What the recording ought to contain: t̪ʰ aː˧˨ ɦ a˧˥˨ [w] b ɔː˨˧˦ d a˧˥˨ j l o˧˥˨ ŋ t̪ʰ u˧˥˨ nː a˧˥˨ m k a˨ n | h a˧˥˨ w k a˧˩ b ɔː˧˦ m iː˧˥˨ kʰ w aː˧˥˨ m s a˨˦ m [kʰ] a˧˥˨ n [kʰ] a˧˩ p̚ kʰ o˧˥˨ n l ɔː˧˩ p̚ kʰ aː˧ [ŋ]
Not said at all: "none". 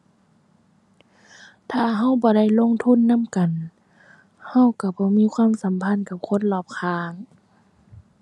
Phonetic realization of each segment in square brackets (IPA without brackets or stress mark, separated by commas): w, pʰ, k, ŋ